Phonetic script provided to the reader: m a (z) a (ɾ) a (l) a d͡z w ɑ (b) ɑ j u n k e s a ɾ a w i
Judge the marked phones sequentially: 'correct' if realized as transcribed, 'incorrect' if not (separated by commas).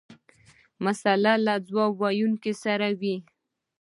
incorrect, incorrect, correct, incorrect